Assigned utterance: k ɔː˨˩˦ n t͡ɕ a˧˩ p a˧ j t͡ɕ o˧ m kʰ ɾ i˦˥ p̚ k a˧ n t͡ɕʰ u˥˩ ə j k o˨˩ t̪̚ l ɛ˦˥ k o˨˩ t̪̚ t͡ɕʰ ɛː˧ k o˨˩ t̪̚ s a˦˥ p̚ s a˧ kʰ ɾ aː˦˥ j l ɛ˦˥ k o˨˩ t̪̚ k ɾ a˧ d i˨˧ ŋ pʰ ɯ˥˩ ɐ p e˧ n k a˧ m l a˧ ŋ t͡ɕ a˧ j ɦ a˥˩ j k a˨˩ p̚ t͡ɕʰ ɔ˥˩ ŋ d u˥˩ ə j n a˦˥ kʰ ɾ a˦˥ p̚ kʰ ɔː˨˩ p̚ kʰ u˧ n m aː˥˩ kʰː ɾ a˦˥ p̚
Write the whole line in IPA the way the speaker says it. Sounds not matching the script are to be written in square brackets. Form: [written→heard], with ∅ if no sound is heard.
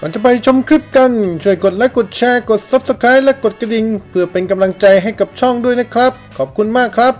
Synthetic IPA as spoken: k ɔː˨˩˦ n t͡ɕ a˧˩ p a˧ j [t͡ɕ→t͡ɕʰ] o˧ m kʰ ɾ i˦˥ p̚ k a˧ n t͡ɕʰ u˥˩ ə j k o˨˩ t̪̚ l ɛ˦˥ k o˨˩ t̪̚ t͡ɕʰ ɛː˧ k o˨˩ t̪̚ s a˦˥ p̚ s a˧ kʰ ɾ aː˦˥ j l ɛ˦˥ k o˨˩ t̪̚ k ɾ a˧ d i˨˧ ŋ pʰ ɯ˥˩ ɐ p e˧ n k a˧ m l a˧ ŋ t͡ɕ a˧ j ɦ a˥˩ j k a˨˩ p̚ t͡ɕʰ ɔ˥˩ ŋ d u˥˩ ə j n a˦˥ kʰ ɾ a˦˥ p̚ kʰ ɔː˨˩ p̚ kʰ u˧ n m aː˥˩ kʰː ɾ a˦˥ p̚